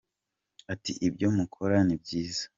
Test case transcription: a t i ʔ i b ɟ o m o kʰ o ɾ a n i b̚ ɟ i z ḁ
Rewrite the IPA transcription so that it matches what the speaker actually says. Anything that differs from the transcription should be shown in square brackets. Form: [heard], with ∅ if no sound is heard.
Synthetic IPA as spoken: a t i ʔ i b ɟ o m [u] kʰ o ɾ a n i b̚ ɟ [iː] z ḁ